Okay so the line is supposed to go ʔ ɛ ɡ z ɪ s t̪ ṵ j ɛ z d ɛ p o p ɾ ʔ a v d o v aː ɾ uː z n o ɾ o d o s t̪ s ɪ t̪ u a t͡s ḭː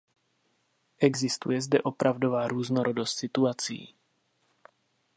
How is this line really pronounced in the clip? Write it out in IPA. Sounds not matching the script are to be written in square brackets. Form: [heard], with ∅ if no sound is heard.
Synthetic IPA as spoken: ʔ ɛ ɡ z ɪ s t̪ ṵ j ɛ z d ɛ [ʔ] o p ɾ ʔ a v d o v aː ɾ uː z n o ɾ o d o s t̪ s ɪ t̪ u a t͡s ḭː